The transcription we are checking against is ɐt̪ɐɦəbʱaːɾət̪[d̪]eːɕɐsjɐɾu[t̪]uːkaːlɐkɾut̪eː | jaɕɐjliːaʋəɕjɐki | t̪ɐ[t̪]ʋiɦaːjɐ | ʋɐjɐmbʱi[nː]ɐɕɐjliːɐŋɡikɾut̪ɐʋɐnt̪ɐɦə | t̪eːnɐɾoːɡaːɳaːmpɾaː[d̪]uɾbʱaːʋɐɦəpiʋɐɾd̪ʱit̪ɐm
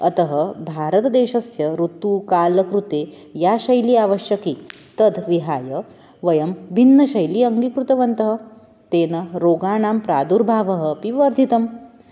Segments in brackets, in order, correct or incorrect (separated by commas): correct, correct, incorrect, correct, correct